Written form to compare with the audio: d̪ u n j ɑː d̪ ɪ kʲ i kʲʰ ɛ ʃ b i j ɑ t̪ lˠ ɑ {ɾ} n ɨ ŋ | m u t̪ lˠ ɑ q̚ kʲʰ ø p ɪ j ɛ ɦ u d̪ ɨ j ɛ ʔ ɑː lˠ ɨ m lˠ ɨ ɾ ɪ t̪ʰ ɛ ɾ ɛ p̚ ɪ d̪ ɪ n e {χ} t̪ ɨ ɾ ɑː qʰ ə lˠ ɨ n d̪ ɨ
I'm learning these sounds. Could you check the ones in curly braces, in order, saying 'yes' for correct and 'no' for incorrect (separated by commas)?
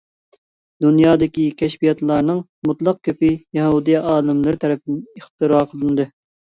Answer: yes, yes